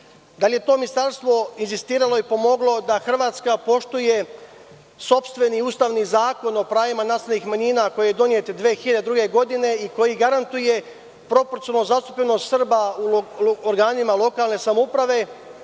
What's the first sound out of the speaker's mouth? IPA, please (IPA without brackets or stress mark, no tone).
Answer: d̪